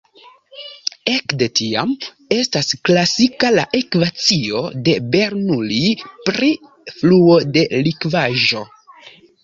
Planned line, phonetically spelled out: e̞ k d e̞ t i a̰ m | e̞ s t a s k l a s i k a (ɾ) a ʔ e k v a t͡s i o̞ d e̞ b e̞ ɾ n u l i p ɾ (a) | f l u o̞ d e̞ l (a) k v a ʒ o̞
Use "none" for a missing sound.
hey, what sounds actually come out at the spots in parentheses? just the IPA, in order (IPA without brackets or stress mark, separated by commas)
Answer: l, i, i